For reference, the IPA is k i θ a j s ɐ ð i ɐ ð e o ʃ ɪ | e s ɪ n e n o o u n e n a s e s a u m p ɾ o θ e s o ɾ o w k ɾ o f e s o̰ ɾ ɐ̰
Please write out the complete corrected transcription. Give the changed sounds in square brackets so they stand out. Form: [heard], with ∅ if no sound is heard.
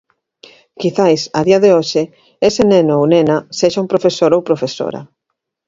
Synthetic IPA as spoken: k i θ a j s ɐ ð i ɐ ð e o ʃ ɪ | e s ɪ n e n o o [w] n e n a s e [ʃ] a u m p ɾ o [f] e s o ɾ o w [p] ɾ o f e s o̰ ɾ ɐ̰